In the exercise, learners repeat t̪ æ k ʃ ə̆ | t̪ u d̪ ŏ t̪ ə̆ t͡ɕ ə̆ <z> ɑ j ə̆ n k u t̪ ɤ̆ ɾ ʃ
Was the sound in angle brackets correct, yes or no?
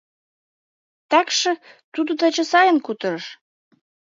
no